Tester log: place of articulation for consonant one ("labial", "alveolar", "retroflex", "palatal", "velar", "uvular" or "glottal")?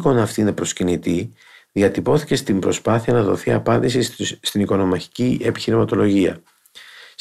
velar